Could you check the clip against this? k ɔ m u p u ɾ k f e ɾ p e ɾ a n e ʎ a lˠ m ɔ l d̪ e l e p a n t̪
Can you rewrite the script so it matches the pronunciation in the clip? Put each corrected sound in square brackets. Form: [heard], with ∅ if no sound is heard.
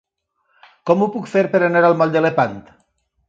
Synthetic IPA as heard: k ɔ m u p u [∅] k f e ɾ p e ɾ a n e [ɾ] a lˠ m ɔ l d̪ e l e p a n t̪